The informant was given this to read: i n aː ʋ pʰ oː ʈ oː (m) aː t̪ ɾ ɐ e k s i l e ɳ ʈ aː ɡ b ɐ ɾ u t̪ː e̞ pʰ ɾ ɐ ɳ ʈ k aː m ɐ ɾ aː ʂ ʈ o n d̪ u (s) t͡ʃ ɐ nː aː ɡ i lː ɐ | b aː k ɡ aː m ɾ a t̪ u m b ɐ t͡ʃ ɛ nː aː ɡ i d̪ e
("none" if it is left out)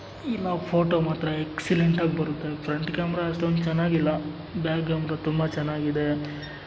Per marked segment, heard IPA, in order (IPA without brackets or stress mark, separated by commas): m, none